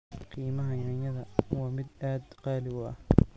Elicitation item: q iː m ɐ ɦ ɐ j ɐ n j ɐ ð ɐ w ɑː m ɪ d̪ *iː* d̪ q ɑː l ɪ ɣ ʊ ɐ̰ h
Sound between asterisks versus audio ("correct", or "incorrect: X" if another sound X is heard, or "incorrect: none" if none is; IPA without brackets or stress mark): incorrect: aː